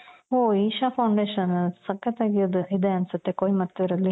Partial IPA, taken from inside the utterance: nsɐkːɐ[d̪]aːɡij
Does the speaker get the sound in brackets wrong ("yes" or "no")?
yes